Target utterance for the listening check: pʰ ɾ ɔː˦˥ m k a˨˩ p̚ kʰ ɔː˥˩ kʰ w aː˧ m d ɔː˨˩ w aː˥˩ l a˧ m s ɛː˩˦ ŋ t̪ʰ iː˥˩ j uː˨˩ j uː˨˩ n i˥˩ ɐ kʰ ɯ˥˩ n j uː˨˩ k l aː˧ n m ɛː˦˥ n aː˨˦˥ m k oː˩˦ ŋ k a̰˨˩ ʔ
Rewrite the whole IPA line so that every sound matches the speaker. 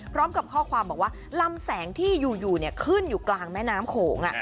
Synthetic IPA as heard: pʰ ɾ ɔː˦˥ m k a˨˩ p̚ kʰ ɔː˥˩ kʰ w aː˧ m b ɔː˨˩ w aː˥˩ l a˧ m s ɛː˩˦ ŋ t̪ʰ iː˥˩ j uː˨˩ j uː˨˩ n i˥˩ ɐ kʰ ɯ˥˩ n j uː˨˩ k l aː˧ ŋ m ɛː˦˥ n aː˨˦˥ m kʰ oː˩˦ ŋ ʔ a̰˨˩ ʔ